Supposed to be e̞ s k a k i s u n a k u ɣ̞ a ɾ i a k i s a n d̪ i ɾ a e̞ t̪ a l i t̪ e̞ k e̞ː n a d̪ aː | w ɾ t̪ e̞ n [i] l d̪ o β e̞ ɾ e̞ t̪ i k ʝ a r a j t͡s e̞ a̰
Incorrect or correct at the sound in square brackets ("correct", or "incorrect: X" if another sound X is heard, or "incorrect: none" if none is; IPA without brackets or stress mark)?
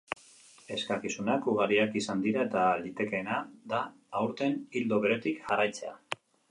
correct